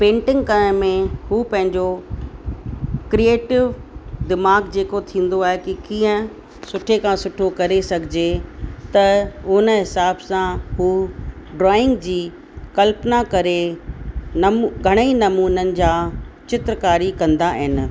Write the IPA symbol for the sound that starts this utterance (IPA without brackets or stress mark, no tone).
p